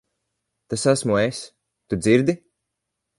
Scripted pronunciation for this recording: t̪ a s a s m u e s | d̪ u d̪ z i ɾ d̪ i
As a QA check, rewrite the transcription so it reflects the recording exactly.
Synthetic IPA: t̪ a s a s m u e s | t̪ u d̪ z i ɾ d̪ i